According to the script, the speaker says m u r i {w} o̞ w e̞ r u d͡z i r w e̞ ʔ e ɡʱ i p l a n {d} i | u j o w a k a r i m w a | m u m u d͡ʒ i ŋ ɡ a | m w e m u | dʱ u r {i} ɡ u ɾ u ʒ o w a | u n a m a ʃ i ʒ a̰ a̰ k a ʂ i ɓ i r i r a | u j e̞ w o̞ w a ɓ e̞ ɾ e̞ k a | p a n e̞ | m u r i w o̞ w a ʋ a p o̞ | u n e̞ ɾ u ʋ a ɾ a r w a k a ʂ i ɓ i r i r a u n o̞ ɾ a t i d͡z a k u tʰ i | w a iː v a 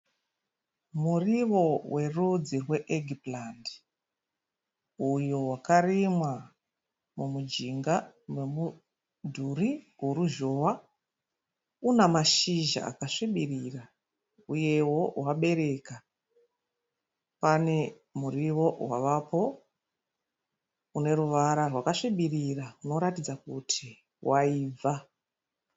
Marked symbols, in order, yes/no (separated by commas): no, yes, yes